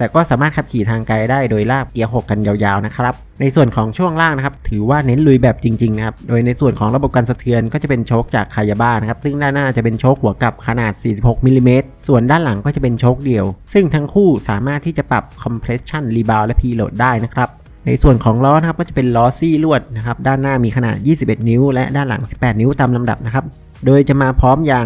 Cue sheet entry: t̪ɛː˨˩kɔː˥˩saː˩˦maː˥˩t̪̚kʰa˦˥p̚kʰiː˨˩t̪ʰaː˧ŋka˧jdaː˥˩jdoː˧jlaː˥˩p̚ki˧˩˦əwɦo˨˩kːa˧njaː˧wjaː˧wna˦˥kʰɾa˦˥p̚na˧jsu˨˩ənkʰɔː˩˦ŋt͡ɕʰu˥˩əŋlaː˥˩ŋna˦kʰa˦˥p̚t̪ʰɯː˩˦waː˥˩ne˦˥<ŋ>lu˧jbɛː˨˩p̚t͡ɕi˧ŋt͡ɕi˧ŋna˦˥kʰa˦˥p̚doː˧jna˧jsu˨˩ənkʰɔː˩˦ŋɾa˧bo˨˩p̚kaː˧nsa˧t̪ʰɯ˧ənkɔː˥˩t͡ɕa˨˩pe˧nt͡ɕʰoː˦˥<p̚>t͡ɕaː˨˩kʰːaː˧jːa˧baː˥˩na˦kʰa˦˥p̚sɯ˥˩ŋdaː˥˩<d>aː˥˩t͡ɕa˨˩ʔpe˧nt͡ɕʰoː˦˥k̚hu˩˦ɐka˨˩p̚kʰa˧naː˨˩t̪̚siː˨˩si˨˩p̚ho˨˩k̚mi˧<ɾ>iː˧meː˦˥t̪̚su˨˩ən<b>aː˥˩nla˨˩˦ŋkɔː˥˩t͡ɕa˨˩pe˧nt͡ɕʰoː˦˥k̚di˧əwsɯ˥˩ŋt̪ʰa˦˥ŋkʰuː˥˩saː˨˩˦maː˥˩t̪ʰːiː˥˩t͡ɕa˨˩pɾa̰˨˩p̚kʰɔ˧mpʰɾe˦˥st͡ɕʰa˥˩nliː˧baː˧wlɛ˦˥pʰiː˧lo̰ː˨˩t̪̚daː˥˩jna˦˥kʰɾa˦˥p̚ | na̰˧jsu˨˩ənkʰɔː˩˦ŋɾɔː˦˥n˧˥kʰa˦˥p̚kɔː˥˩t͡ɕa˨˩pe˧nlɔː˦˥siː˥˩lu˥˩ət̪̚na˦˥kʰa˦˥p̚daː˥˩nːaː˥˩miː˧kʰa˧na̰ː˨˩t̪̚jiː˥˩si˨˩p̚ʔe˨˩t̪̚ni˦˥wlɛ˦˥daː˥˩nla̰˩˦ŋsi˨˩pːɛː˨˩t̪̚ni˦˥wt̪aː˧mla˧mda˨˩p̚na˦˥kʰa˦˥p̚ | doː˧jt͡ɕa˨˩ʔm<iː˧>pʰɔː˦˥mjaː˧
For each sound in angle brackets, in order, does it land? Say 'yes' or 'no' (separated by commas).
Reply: no, no, no, no, no, no